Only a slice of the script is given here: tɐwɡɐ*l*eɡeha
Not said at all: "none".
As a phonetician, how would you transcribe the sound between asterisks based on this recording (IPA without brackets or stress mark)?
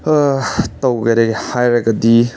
ɾ